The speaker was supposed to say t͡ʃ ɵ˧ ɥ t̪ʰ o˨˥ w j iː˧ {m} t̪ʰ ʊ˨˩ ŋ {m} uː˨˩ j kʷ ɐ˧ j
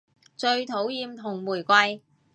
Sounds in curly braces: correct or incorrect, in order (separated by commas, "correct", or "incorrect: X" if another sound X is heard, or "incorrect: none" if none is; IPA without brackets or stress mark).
correct, correct